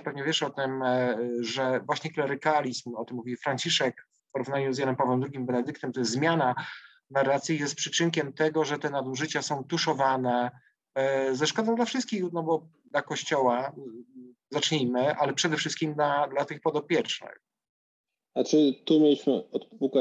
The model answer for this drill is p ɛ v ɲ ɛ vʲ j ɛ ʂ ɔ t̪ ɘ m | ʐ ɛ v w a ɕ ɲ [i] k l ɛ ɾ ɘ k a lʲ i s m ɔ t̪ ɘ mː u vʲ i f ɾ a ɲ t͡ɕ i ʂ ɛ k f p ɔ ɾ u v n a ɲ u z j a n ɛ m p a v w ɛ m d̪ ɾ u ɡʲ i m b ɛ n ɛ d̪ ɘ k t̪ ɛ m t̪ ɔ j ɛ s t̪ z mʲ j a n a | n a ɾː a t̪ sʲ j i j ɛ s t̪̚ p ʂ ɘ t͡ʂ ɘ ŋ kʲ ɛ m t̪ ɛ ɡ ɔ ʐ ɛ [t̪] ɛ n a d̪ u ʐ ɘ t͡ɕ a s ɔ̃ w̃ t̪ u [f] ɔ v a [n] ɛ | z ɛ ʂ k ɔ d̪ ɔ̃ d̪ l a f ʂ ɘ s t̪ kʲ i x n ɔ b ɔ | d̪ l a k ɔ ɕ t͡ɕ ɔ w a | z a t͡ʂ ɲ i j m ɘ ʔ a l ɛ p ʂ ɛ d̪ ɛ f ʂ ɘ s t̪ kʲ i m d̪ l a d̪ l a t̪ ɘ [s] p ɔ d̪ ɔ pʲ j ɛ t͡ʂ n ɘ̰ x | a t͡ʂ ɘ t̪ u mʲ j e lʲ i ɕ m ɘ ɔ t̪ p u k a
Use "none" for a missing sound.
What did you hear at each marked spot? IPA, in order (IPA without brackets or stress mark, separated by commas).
ɛ, t̪, ʂ, n, x